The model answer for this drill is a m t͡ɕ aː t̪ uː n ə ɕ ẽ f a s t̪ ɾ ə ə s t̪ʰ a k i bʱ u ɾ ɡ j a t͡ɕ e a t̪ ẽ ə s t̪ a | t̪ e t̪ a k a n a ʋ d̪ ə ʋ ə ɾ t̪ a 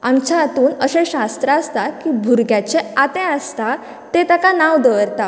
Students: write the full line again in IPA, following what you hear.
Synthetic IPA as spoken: a m t͡ɕ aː t̪ uː n ə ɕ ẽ ɕ a s t̪ ɾ ə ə s t̪ a k i bʱ u ɾ ɡ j a t͡ɕ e a t̪ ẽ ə s t̪ a | t̪ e t̪ a k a n a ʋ d̪ ə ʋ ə ɾ t̪ a